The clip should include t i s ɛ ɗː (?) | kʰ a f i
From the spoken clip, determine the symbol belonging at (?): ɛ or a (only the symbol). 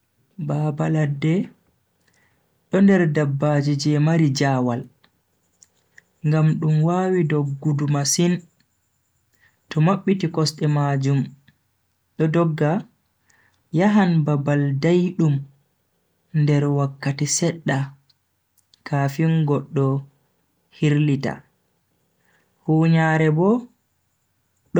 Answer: a